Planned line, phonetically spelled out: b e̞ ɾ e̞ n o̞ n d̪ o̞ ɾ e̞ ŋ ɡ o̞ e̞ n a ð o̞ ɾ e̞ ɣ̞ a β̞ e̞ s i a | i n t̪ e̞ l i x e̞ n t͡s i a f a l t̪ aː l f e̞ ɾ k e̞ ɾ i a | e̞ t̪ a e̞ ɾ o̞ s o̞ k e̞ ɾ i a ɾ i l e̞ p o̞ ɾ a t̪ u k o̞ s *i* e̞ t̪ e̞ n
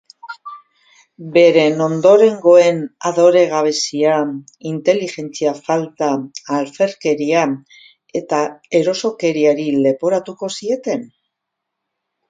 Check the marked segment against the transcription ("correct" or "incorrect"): correct